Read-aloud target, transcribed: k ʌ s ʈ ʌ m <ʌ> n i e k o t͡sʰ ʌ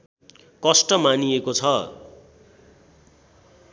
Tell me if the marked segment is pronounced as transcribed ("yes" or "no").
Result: no